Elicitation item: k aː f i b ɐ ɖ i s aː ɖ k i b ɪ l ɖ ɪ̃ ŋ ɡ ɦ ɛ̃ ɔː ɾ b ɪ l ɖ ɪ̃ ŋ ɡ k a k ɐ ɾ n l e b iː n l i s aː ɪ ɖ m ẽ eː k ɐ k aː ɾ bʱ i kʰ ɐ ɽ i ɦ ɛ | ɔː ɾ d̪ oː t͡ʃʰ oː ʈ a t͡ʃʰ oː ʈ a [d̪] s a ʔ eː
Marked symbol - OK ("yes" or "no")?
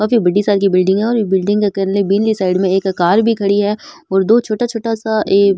no